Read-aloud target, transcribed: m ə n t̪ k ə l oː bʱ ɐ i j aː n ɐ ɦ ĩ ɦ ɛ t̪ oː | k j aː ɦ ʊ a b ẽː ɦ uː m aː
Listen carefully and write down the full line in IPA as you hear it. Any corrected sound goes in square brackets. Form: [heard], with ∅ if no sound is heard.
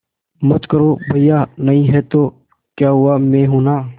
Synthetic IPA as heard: m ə [∅] t̪ k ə [ɾ] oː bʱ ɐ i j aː n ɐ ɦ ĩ ɦ ɛ t̪ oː | k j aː ɦ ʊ a [m] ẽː ɦ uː [n] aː